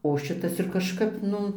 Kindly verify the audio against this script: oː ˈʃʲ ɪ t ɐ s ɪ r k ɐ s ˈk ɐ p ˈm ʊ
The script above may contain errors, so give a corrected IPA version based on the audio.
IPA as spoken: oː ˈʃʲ ɪ t ɐ s ɪ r k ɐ ʃ ˈk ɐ p ˈn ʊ